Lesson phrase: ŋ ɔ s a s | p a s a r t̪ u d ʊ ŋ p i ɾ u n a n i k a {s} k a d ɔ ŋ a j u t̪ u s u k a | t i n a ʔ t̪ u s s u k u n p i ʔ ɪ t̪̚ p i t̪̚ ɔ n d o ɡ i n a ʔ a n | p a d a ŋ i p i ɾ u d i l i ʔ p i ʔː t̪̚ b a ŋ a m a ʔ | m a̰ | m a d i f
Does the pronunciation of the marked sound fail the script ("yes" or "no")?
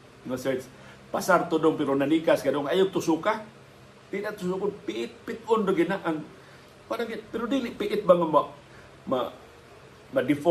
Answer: no